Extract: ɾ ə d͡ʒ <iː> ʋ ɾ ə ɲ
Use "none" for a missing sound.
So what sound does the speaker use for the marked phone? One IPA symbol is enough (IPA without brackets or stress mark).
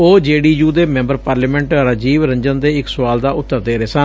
iː